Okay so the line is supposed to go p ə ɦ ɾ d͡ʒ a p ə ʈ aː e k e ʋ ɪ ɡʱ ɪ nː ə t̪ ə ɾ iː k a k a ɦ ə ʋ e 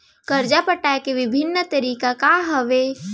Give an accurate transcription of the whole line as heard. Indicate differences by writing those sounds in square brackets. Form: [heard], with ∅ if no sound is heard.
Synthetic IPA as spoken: [k] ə [∅] ɾ d͡ʒ a p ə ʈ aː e k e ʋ ɪ [bʱ] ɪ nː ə t̪ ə ɾ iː k a k a ɦ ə ʋ e